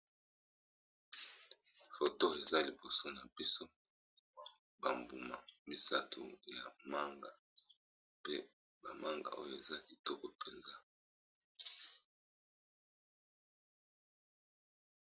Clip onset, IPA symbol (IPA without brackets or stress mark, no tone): f